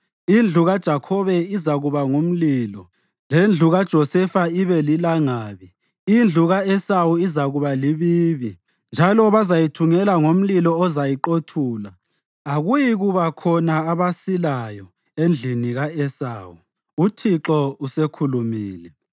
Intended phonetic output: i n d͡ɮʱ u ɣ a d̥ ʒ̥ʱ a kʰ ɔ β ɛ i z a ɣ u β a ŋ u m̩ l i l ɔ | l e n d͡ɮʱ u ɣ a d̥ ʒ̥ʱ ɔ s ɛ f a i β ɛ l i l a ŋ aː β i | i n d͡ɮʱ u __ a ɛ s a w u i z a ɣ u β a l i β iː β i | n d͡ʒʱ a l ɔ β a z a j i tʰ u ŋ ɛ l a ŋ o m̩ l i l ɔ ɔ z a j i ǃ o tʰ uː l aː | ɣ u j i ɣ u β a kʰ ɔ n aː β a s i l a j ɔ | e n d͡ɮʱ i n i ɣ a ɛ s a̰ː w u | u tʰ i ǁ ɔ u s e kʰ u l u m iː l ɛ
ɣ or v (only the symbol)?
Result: ɣ